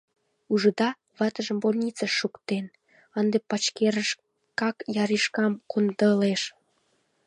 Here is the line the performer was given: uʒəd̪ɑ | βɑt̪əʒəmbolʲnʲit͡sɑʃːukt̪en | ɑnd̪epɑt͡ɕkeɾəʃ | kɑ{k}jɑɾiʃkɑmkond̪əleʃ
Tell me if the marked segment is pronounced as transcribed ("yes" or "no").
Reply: yes